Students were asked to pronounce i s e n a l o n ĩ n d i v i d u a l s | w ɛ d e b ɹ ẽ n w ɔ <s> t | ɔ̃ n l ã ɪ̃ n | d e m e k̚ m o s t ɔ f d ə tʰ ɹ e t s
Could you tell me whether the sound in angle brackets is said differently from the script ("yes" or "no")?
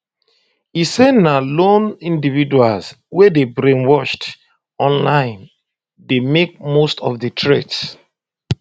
yes